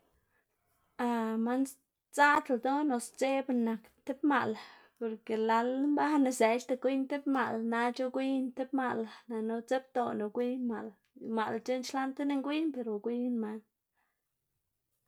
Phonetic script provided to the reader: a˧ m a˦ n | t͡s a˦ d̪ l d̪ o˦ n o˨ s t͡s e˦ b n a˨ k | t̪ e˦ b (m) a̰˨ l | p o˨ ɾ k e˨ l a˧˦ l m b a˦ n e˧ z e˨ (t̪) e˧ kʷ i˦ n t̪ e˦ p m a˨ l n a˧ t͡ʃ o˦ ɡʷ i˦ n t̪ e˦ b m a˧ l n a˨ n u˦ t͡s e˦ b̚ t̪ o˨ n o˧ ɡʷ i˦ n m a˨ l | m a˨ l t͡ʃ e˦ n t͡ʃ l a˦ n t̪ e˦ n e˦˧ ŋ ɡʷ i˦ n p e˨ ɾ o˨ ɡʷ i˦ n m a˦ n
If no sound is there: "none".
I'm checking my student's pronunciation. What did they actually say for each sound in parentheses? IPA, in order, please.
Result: m, t̪

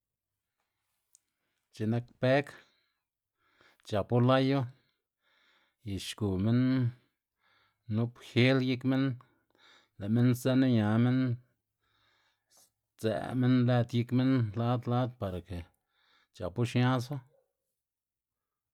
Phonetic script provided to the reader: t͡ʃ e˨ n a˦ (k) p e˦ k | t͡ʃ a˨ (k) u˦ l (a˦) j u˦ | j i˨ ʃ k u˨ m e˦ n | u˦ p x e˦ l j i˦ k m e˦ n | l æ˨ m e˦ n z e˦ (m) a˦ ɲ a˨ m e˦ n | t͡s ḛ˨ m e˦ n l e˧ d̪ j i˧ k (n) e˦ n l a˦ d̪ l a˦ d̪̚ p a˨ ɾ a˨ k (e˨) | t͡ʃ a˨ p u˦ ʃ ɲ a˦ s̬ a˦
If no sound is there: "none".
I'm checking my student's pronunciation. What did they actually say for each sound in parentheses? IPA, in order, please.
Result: k, p, a˦, n, m, e˨

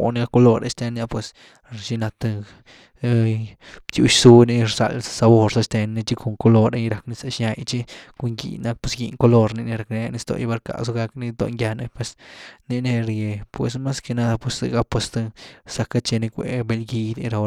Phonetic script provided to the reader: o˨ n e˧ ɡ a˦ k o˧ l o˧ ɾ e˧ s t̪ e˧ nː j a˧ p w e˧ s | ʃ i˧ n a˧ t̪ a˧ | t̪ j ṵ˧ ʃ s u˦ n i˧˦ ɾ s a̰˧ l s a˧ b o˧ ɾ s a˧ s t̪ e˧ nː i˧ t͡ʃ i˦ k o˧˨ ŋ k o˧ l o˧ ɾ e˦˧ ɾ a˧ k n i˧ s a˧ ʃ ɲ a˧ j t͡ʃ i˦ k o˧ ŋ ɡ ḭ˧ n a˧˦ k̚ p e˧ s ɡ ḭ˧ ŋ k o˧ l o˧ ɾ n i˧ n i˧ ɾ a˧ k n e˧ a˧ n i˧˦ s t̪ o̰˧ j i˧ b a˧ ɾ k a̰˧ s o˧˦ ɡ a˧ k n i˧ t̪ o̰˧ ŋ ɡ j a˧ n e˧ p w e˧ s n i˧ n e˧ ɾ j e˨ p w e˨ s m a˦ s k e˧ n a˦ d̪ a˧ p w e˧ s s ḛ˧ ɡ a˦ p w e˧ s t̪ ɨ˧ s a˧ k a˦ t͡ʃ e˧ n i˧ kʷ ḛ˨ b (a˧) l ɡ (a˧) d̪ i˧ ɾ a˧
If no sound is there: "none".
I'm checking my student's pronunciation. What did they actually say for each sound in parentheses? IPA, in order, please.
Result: e˧, i˧

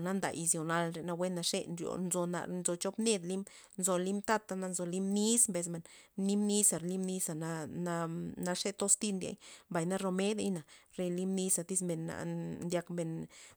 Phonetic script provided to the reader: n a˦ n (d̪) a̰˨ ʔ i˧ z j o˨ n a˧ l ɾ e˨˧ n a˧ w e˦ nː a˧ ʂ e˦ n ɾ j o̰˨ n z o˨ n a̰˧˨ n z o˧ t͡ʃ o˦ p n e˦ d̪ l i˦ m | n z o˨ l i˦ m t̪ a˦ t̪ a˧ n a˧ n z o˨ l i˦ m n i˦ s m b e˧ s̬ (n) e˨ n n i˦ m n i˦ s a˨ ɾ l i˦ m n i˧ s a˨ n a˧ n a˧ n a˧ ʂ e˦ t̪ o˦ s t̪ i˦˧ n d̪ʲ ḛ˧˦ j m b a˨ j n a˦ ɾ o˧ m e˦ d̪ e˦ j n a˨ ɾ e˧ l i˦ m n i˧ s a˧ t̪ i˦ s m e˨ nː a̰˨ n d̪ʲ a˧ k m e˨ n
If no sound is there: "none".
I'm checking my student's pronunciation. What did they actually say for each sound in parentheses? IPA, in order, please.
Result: d̪, m

